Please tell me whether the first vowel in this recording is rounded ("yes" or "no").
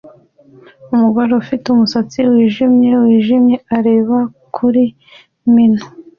yes